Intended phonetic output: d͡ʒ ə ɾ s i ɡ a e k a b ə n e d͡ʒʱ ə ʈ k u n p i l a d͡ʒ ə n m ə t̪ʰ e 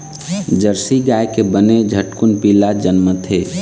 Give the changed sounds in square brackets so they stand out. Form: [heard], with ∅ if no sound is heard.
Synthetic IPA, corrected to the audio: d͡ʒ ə ɾ s i ɡ a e k [e] b ə n e d͡ʒʱ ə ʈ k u n p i l a d͡ʒ ə n m ə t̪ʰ e